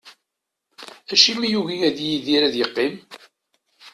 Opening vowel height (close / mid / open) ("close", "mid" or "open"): open